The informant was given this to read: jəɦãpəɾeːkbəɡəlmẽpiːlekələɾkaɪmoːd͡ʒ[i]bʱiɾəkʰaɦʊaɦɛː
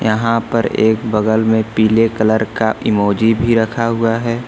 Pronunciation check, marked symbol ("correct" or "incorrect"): correct